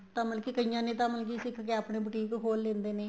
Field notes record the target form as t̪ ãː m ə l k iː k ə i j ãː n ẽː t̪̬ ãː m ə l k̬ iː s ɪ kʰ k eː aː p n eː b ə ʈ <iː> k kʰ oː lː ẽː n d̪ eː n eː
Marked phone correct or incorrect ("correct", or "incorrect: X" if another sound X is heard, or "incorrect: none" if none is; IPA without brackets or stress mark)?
correct